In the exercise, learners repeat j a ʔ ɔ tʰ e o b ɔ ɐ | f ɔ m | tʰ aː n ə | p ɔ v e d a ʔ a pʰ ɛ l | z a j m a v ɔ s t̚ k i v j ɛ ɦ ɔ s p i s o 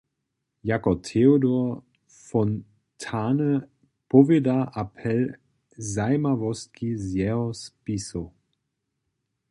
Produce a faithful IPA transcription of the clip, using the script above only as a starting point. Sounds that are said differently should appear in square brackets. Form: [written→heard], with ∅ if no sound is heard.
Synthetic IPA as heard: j a [ʔ→k] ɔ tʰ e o [b→d] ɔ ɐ | f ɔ [m→n] | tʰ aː n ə | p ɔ v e d a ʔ a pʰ ɛ l | z a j m a v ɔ s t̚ k i [v→z] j ɛ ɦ ɔ s p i s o